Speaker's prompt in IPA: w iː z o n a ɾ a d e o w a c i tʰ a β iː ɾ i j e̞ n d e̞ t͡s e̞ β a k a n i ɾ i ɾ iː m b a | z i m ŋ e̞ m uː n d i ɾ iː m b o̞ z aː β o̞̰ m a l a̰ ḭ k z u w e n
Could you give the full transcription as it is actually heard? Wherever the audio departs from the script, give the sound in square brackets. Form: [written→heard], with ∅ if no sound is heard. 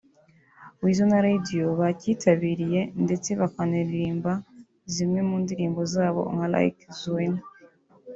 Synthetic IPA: w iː z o n a ɾ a d [e→i] o [w→β] a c i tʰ a β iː ɾ i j e̞ n d e̞ t͡s e̞ β a k a n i ɾ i ɾ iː m b a | z i m ŋ e̞ m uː n d i ɾ iː m b o̞ z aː β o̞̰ [m→ŋ] a l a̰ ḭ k z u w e n